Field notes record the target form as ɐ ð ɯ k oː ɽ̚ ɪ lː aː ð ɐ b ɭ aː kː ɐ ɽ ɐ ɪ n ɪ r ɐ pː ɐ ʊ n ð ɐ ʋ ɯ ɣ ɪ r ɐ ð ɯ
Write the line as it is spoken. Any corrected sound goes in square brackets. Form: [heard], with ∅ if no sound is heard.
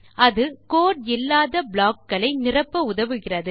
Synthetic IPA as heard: ɐ ð ɯ k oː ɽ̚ ɪ lː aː ð ɐ b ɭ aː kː ɐ [ɭ] ɐ ɪ n ɪ r ɐ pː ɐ ʊ [∅] ð ɐ ʋ ɯ ɣ ɪ r ɐ ð ɯ